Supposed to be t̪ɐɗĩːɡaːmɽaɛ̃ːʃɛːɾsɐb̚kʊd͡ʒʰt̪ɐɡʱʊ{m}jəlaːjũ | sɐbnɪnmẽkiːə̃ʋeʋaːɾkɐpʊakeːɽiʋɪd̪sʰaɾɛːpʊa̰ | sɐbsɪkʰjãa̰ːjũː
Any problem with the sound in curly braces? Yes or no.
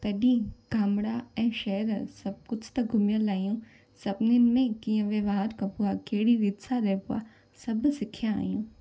no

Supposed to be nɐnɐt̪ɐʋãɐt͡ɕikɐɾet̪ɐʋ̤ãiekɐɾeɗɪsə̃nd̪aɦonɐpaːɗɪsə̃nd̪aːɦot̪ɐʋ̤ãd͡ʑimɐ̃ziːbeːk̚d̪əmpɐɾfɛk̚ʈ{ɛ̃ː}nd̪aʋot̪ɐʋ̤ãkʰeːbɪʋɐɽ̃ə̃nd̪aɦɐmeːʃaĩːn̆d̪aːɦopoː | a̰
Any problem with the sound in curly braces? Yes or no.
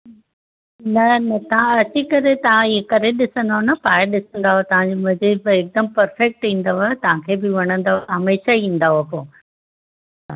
yes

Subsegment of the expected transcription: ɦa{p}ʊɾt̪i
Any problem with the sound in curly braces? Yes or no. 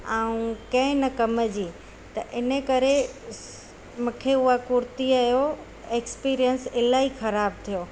yes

